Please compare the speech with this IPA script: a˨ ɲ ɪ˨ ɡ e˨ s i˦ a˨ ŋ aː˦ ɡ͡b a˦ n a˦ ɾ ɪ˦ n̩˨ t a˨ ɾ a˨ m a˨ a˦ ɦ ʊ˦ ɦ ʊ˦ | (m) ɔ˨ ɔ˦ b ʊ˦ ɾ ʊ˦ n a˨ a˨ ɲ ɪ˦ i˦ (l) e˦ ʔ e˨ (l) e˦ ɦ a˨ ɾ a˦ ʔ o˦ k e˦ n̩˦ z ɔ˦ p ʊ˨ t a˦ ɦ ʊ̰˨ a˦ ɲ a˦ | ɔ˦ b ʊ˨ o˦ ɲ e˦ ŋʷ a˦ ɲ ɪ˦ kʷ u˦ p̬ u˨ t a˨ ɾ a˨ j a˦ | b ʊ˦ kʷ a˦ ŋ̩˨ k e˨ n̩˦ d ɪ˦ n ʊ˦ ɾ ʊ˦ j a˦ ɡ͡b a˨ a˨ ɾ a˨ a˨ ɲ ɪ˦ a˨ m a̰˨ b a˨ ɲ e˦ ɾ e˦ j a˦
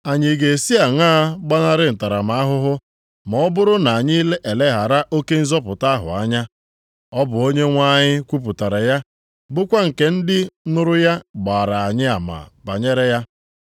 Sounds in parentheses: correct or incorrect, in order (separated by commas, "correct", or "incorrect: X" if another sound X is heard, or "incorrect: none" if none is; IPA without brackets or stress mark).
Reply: correct, correct, correct